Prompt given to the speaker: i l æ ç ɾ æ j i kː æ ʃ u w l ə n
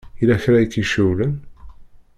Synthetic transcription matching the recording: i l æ ç ɾ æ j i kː i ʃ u w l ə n